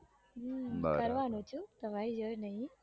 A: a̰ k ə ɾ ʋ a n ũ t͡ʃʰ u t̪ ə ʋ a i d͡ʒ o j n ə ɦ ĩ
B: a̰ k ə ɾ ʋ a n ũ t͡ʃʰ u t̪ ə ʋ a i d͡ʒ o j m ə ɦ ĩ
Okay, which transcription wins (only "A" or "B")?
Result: A